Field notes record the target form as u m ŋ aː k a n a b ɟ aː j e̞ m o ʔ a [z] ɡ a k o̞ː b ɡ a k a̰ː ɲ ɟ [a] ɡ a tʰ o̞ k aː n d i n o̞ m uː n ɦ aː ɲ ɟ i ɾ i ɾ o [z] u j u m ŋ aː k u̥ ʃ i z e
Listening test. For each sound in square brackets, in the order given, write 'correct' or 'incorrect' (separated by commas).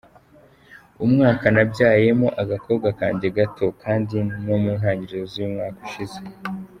incorrect, incorrect, correct